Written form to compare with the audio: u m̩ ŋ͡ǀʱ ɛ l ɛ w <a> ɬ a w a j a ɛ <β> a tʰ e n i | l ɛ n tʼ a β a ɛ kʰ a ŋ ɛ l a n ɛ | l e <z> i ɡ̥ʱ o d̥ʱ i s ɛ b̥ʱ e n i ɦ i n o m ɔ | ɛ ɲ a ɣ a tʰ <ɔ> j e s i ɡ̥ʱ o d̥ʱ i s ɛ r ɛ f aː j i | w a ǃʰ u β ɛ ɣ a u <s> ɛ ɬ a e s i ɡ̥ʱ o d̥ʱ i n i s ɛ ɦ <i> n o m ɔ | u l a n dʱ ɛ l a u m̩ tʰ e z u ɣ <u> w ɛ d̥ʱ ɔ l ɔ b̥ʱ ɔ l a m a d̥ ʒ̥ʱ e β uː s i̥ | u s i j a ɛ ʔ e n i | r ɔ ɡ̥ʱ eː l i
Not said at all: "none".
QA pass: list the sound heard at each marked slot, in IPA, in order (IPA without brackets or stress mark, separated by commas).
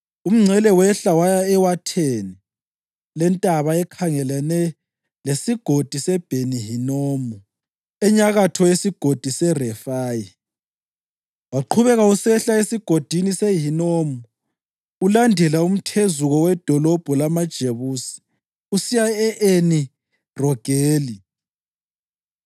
ɛ, w, s, ɔ, s, i, ɔ